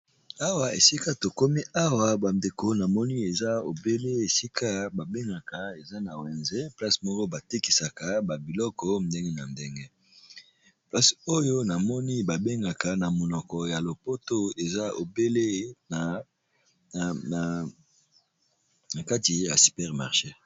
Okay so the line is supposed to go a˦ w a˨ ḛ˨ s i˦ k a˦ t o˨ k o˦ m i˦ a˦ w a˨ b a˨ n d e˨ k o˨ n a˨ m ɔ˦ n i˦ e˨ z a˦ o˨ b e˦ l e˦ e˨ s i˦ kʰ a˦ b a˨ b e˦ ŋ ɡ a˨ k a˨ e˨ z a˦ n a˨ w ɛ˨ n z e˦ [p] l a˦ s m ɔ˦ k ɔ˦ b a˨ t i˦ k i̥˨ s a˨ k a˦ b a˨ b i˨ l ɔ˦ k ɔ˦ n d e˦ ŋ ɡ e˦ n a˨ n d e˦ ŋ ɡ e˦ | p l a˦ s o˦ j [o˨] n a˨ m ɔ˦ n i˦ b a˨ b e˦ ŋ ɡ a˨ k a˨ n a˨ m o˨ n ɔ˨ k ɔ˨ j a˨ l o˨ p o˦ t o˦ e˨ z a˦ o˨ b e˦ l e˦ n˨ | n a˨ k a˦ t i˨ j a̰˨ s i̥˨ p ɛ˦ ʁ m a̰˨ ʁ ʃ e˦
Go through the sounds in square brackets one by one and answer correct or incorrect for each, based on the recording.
correct, incorrect

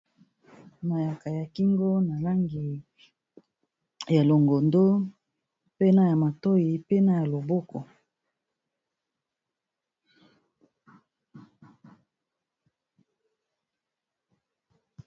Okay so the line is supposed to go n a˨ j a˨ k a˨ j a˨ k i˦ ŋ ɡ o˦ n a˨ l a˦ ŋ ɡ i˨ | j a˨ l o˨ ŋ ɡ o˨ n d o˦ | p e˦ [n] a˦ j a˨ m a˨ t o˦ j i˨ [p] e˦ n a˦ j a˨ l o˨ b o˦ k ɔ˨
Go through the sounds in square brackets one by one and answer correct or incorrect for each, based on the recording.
correct, correct

